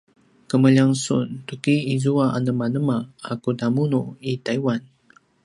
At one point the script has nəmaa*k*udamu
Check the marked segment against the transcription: correct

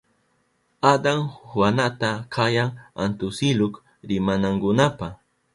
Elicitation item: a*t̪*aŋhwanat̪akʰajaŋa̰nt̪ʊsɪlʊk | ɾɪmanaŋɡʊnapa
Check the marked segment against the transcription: incorrect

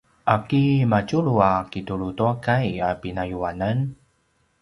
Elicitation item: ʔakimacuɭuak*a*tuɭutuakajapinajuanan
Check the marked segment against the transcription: incorrect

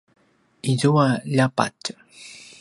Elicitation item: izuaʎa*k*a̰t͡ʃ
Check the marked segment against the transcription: incorrect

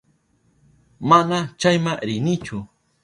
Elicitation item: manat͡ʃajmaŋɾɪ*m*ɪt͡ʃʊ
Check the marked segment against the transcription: incorrect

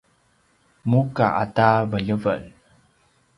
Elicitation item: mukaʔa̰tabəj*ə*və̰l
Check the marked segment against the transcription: correct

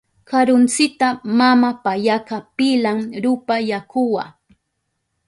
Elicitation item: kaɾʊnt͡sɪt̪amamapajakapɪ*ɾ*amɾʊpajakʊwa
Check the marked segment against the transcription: incorrect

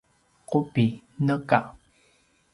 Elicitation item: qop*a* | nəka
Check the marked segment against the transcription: incorrect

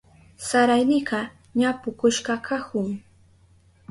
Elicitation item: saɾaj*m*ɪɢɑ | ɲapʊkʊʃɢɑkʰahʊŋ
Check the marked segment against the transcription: incorrect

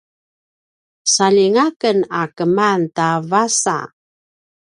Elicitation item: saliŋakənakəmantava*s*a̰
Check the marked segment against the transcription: correct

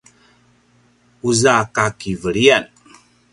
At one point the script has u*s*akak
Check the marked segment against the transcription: incorrect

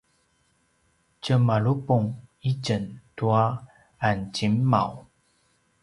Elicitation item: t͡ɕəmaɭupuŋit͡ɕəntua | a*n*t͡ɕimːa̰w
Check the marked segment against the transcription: correct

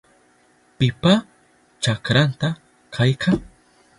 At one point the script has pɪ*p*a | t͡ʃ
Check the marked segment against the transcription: correct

